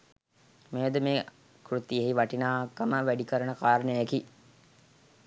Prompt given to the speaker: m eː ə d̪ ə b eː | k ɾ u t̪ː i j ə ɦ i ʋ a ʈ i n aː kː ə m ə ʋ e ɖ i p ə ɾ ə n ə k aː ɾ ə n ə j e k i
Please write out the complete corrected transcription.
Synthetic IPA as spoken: m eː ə d̪ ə m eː | k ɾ u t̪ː i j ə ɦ i ʋ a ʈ i n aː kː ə m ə ʋ æ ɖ i k ə ɾ ə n ə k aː ɾ ə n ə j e k i